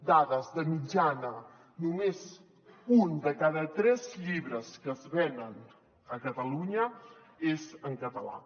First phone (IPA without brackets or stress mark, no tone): d̪